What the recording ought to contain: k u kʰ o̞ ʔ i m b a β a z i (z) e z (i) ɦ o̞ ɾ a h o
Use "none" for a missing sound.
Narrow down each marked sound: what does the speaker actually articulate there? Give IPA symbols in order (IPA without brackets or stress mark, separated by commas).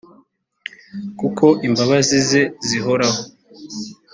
z, i